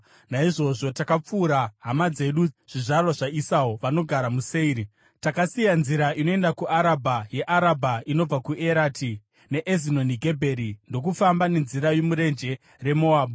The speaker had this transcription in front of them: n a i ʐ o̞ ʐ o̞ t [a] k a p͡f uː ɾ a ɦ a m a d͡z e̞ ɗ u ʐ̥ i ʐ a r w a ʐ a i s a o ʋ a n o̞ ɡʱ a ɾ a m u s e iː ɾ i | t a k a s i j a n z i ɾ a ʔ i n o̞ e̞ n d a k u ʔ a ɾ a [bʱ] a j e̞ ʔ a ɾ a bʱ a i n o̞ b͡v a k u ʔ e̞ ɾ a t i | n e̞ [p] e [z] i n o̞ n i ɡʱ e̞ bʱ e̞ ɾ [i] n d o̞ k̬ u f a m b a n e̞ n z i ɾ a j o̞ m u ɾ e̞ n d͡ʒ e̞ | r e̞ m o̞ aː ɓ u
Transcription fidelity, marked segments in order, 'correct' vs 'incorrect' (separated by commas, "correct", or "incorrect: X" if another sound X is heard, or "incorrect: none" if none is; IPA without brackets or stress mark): correct, correct, incorrect: ʔ, correct, correct